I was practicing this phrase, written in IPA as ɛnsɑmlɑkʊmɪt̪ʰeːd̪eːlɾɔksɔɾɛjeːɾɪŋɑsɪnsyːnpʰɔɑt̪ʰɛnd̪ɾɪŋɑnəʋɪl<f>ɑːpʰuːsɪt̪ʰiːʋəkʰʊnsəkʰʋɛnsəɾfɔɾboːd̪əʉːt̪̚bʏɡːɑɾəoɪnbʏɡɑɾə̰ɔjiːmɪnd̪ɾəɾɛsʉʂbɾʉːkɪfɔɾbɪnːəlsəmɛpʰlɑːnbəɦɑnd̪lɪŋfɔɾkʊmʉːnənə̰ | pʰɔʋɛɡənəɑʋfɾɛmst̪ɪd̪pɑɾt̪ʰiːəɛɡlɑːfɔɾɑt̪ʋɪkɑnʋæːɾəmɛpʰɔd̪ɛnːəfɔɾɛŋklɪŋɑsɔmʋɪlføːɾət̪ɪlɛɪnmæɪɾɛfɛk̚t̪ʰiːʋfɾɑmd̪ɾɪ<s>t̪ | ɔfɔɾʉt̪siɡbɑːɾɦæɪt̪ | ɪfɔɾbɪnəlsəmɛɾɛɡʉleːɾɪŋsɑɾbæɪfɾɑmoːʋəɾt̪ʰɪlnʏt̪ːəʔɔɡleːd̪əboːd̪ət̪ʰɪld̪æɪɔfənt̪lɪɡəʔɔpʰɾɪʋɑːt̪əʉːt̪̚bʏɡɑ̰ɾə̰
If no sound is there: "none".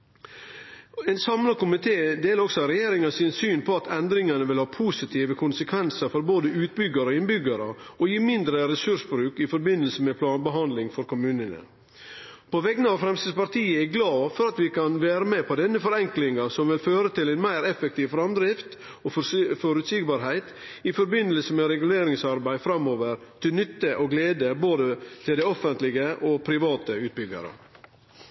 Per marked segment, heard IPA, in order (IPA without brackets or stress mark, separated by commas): h, f